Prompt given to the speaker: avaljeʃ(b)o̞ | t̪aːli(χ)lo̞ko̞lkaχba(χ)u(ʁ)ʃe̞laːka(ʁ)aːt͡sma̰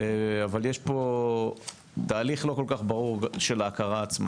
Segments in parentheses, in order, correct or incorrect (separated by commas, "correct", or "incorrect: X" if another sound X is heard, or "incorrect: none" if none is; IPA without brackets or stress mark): incorrect: p, correct, incorrect: ʁ, correct, correct